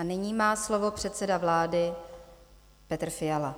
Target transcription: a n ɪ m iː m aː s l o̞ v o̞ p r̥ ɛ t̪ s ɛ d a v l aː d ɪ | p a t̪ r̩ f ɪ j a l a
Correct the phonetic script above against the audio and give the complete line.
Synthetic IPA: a n ɪ ɲ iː m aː s l o̞ v o̞ p r̥ ɛ t̪ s ɛ d a v l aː d ɪ | p ɛ t̪ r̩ f ɪ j a l a